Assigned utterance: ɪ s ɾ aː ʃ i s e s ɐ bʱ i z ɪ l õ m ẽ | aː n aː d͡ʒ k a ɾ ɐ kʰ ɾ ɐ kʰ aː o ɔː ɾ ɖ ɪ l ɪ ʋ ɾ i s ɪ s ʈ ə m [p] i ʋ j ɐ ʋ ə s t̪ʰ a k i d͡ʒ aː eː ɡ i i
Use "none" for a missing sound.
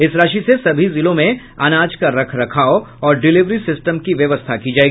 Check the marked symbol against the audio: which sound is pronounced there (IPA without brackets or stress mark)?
k